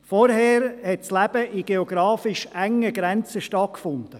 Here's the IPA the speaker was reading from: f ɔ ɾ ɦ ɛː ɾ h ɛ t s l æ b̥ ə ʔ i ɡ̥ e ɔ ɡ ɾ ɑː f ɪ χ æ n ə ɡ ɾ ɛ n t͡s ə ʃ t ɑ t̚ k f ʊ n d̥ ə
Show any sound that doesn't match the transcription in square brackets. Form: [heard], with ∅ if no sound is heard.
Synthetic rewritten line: f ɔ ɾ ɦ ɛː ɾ h ɛ t s l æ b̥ ə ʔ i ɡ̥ e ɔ ɡ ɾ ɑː f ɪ [ʃ] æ [ŋ] ə ɡ ɾ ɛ n t͡s ə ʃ t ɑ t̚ k f ʊ n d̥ ə